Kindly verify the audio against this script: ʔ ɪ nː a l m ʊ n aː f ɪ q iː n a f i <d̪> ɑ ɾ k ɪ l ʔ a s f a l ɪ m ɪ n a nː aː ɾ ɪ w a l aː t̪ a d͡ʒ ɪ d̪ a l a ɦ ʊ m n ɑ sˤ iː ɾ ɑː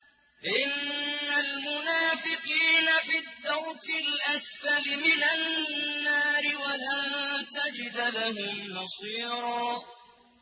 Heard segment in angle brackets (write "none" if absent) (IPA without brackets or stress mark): d̪ː